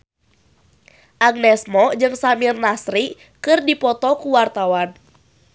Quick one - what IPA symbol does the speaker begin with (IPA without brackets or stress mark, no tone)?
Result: ʔ